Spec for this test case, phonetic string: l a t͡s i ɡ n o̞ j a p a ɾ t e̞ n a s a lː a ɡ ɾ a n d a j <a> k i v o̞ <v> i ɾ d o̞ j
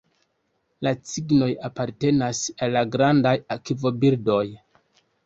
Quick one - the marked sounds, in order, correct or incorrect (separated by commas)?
correct, incorrect